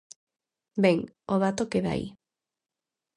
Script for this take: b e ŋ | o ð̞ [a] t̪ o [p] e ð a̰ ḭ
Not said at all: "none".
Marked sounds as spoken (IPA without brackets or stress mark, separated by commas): a, k